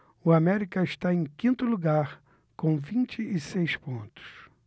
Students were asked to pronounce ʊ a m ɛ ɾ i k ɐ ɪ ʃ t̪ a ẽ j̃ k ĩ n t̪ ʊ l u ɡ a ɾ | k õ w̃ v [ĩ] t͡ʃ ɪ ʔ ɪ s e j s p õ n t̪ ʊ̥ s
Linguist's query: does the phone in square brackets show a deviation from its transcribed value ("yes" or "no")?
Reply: no